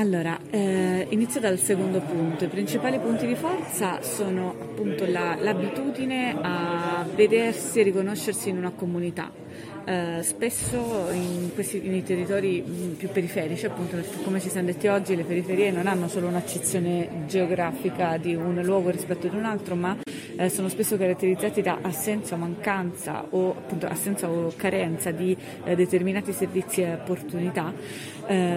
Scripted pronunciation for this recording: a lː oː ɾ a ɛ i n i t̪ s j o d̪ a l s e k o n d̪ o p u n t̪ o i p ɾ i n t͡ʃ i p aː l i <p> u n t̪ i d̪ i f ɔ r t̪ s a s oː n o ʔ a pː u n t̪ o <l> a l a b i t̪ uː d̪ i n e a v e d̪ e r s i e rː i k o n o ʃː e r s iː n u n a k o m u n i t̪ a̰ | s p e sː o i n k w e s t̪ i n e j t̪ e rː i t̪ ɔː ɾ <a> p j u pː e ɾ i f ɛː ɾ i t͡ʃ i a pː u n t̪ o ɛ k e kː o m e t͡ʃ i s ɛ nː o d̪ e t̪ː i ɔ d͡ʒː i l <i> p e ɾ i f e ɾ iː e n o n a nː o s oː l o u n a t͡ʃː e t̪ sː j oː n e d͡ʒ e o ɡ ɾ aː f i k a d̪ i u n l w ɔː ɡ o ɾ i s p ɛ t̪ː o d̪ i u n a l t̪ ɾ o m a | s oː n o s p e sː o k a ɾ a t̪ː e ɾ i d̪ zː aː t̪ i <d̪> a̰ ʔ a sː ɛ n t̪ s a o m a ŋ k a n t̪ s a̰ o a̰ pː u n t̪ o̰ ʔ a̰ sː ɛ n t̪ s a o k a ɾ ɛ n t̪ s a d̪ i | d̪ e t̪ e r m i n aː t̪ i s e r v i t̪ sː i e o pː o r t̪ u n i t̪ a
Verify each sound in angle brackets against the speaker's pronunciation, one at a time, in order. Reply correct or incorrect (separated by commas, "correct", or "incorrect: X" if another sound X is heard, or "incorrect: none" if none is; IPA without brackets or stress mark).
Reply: correct, correct, incorrect: i, incorrect: e, correct